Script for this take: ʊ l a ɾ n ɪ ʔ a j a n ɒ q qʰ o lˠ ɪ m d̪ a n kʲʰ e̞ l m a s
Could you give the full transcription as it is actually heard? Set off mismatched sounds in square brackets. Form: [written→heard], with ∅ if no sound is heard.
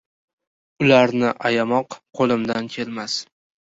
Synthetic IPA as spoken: ʊ l a ɾ n ɪ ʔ a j a [n→m] ɒ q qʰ o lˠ ɪ m d̪ a n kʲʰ e̞ l m a s